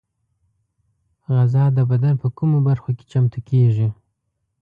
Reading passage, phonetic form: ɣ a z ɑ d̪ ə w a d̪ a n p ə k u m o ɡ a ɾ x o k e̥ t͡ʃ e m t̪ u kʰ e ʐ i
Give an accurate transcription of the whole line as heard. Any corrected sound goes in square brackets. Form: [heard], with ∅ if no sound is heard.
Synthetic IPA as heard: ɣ a z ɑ d̪ ə [b] a d̪ a n p ə k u m o [b] a ɾ x o k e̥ t͡ʃ [a] m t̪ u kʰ e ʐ i